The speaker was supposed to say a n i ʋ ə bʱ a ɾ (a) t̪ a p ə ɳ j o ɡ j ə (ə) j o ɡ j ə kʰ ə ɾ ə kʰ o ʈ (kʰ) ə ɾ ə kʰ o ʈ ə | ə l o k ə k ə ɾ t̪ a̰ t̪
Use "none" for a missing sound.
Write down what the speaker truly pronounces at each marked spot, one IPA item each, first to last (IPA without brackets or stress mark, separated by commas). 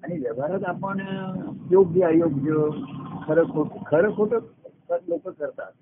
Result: ə, a, kʰ